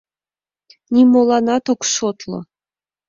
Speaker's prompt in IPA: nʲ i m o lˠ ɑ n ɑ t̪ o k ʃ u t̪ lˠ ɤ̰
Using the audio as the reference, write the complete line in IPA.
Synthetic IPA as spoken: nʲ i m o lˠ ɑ n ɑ t̪ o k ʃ o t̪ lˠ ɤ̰